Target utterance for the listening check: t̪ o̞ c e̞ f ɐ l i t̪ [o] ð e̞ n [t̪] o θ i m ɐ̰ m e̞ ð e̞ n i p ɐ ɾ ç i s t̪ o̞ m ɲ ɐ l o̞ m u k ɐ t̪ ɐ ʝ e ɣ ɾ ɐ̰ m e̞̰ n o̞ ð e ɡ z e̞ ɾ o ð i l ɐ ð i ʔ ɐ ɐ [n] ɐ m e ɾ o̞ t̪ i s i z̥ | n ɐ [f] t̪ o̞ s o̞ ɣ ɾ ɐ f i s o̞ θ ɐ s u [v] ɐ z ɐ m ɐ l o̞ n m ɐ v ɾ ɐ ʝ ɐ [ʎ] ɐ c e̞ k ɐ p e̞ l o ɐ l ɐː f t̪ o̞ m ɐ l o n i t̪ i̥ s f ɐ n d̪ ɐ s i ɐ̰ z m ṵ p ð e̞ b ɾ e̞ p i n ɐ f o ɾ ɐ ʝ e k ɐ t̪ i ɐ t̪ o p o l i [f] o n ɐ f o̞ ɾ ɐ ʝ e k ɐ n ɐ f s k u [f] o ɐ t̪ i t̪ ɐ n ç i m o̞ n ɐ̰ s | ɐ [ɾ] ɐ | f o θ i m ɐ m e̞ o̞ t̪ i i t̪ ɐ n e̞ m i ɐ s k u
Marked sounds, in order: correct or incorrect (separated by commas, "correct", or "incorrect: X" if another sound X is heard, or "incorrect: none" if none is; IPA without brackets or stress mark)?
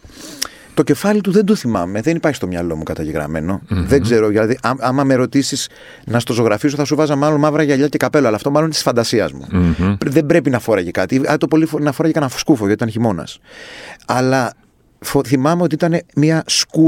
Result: incorrect: u, incorrect: d̪, incorrect: m, incorrect: s, correct, correct, correct, correct, incorrect: l